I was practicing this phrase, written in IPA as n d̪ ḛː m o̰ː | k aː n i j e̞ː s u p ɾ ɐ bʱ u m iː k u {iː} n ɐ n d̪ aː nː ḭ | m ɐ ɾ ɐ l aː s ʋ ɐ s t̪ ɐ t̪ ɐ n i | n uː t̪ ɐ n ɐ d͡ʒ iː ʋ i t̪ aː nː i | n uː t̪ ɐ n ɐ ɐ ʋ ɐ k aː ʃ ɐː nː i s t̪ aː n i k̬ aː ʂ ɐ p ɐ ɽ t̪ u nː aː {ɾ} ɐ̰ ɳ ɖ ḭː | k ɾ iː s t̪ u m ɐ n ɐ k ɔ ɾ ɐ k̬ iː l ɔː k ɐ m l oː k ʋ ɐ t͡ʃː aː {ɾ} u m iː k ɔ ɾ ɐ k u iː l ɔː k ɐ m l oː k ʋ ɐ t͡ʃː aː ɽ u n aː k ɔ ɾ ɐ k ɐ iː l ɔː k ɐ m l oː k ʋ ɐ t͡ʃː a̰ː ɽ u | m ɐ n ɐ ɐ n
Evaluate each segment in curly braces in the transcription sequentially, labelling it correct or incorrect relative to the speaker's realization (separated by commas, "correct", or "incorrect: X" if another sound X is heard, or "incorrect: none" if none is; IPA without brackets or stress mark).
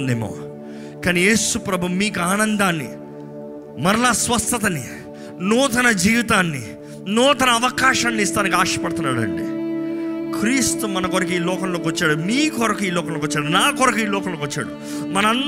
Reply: incorrect: aː, incorrect: ɽ, incorrect: ɽ